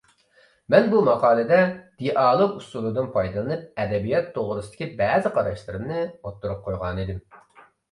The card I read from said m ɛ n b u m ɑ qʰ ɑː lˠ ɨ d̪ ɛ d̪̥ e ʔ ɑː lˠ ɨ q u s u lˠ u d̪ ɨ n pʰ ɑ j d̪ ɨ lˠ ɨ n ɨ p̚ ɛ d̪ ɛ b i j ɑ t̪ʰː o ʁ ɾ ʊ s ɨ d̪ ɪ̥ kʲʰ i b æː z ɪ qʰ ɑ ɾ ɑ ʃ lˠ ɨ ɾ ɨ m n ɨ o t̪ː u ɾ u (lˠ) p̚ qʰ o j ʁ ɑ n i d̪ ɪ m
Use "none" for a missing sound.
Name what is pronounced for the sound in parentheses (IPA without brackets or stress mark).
none